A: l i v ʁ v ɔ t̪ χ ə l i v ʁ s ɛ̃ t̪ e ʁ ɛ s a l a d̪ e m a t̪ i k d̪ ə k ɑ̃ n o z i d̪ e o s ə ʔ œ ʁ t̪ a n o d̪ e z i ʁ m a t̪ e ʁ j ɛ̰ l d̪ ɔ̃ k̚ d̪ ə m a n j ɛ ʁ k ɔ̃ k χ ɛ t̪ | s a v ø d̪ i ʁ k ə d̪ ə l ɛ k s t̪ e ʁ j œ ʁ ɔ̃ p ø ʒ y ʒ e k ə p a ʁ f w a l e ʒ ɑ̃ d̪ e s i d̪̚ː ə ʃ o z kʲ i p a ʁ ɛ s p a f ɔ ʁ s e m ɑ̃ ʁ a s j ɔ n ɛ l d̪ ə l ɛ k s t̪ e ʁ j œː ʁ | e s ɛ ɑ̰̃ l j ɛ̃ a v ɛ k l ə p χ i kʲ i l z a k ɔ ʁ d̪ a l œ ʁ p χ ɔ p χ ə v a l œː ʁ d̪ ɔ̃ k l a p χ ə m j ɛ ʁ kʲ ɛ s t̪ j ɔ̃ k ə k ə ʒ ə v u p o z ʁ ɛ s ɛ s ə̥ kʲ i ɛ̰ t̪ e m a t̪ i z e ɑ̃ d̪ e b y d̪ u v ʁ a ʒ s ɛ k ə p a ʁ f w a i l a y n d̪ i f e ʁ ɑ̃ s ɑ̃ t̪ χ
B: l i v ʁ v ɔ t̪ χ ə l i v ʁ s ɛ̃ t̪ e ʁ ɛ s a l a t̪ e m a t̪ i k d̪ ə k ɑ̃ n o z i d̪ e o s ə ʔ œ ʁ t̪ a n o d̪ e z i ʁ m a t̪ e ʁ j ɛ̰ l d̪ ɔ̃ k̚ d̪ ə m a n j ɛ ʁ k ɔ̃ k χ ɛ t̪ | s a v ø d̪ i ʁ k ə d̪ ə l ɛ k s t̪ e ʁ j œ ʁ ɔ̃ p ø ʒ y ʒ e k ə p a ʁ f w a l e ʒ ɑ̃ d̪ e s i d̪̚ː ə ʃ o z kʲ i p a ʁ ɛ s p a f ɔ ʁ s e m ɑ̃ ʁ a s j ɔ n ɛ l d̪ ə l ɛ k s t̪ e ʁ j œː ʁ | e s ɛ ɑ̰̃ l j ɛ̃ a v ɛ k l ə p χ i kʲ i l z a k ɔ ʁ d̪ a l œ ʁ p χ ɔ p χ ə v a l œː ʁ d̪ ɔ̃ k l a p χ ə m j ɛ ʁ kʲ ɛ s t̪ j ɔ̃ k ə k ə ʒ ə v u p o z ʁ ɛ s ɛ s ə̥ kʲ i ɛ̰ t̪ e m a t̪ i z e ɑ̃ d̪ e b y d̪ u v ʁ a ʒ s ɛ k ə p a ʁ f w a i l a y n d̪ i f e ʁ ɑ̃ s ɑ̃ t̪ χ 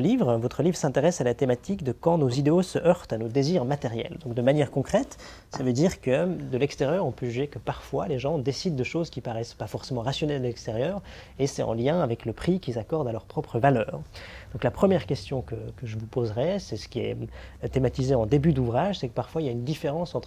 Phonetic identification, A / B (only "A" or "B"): B